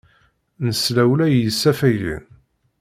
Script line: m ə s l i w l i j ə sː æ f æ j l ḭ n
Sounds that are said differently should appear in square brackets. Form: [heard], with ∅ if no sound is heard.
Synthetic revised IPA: [n] ə s l [æ] w l [æ] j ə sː æ f æ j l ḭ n